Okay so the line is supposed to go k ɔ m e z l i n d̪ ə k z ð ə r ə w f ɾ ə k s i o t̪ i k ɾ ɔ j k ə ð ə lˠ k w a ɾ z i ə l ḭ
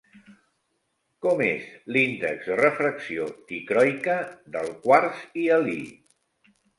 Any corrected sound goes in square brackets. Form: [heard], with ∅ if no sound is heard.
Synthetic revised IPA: k ɔ m e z l i n d̪ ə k z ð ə r ə [∅] f ɾ ə k s i o t̪ i k ɾ ɔ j k ə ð ə lˠ k w a ɾ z i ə l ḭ